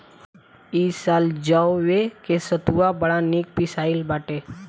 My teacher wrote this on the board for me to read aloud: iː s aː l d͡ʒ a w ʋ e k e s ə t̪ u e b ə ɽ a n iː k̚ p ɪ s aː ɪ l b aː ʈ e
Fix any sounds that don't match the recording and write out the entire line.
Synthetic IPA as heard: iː s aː l d͡ʒ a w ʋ e k e s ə t̪ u a b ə ɽ a n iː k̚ p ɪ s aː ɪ l b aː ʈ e